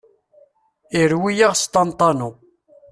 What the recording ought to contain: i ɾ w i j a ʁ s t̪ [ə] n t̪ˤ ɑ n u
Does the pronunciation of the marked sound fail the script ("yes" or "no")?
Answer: yes